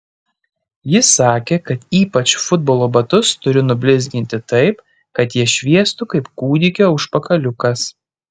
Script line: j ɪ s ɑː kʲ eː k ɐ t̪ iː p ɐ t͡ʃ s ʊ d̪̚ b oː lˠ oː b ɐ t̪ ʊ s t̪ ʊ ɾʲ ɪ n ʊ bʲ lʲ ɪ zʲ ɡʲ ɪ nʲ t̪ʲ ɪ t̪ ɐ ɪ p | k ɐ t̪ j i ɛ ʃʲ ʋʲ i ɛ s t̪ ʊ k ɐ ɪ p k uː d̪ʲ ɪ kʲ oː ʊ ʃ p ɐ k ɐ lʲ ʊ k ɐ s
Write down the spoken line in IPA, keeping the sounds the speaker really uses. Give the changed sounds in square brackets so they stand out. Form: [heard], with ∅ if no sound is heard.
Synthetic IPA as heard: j ɪ s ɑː kʲ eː k ɐ t̪ iː p ɐ t͡ʃ [f] ʊ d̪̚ b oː lˠ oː b ɐ t̪ ʊ s t̪ ʊ ɾʲ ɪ n ʊ bʲ lʲ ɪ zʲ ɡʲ ɪ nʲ t̪ʲ ɪ t̪ ɐ ɪ p | k ɐ t̪ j i ɛ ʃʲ ʋʲ i ɛ s t̪ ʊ k ɐ ɪ p k uː d̪ʲ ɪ kʲ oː ʊ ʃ p ɐ k ɐ lʲ ʊ k ɐ s